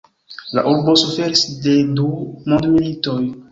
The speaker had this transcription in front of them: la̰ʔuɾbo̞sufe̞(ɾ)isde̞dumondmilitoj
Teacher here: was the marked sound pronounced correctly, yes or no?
yes